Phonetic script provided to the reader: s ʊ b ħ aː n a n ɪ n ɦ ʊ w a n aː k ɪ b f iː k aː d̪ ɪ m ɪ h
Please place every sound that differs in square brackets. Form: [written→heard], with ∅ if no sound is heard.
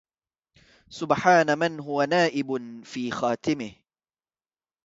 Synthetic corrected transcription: s ʊ b ħ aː n a [n→m] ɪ n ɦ ʊ w a n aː [k→ʔ] ɪ b f iː [k→x] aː [d̪→t̪] ɪ m ɪ h